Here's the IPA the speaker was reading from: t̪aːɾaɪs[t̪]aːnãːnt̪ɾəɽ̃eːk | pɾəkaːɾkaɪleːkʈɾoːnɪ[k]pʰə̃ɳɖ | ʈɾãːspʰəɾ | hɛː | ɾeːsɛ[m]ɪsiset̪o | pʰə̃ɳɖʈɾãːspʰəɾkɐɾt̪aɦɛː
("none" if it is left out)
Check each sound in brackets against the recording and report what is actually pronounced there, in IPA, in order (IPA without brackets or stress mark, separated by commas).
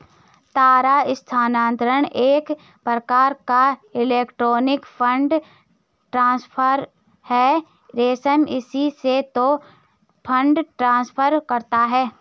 t̪ʰ, k, m